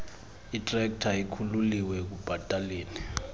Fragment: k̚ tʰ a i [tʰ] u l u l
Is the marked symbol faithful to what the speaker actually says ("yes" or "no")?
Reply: no